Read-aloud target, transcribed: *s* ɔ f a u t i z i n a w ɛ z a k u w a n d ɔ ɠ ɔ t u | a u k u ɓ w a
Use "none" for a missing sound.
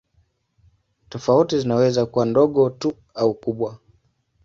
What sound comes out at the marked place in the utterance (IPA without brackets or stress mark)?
t